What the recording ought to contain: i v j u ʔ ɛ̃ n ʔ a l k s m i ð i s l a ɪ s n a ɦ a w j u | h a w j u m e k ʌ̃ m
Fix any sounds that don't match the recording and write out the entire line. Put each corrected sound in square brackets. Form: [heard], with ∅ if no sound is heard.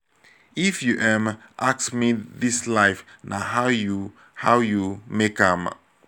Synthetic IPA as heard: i [f] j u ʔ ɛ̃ [m] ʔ a [∅] k s m i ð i s l a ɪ [f] n a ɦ a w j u | h a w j u m e k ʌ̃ m